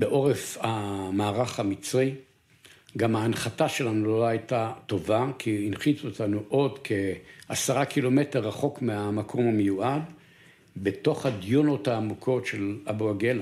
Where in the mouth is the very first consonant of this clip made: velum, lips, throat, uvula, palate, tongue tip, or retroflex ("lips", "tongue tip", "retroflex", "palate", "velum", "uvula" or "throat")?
lips